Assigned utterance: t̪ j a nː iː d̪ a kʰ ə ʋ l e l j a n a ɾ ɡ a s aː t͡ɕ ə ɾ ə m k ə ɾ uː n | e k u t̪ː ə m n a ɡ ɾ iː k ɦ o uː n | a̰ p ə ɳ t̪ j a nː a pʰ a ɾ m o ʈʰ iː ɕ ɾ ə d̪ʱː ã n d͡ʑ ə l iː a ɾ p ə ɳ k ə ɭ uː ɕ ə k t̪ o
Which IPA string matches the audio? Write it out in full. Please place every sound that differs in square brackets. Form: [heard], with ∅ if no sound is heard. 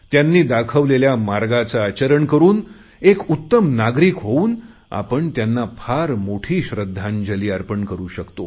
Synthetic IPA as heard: t̪ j a nː iː d̪ a kʰ ə ʋ l e l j a [m] a ɾ ɡ a [t͡s] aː t͡ɕ ə ɾ ə [ɳ] k ə ɾ uː n | e k u t̪ː ə m n a ɡ ɾ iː k ɦ o uː n | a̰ p ə ɳ t̪ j a nː a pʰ a ɾ m o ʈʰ iː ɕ ɾ ə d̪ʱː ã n d͡ʑ ə l iː a ɾ p ə ɳ k ə [ɾ] uː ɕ ə k t̪ o